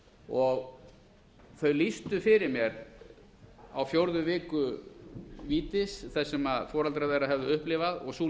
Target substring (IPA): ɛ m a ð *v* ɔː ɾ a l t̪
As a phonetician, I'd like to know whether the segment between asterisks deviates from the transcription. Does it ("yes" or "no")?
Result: yes